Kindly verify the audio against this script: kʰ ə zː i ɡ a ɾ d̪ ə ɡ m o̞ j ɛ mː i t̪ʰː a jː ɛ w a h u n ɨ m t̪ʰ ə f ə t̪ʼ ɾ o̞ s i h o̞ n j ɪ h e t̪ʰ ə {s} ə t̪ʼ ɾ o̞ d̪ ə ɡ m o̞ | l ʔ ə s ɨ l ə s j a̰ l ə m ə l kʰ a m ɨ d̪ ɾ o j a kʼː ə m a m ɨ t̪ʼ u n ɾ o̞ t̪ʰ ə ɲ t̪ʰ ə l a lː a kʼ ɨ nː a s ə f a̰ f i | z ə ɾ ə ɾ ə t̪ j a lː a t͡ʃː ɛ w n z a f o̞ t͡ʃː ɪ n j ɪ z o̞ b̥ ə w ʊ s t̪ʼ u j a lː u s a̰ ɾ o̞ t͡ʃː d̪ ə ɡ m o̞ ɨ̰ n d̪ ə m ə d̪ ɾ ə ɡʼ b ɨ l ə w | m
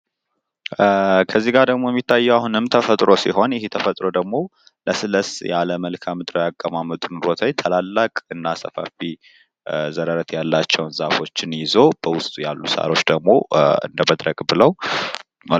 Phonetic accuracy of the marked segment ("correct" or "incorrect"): incorrect